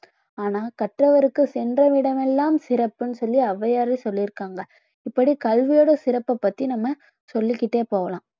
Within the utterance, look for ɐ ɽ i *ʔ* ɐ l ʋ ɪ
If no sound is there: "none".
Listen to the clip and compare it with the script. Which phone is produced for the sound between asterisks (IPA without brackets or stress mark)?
k